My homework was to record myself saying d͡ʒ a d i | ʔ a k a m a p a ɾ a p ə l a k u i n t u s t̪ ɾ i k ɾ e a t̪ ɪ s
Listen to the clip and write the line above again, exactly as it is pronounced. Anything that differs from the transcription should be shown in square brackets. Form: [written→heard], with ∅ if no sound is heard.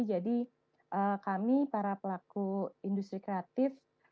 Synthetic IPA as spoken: d͡ʒ a d i | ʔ [a→ə] k a m [a→i] p a ɾ a p ə l a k u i n [t→d] u s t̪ ɾ i k ɾ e a t̪ ɪ [s→f]

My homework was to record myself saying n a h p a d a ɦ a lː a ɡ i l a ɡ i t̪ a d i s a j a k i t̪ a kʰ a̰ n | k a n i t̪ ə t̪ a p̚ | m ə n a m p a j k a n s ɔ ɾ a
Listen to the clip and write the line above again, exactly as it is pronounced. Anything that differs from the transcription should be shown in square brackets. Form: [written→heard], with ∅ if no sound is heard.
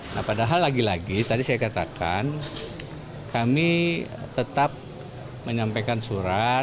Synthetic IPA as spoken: n a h p a d a ɦ a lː a ɡ i l a ɡ i t̪ a d i s a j a k [i→a] t̪ a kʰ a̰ n | k a [n→m] i t̪ ə t̪ a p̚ | m ə [n→ɲ] a m p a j k a n s [ɔ→u] ɾ a

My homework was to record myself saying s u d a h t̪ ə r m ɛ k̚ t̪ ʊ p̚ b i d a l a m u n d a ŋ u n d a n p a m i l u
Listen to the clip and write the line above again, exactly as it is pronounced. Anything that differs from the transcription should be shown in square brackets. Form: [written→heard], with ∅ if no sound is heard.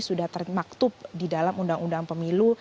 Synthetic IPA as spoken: s u d a h t̪ ə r m [ɛ→a] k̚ t̪ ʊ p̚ [b→d] i d a l a m u n d a ŋ u n d a [n→ŋ] p [a→ə] m i l u

